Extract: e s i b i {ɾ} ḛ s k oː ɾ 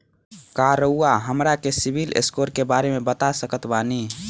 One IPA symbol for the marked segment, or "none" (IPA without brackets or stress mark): l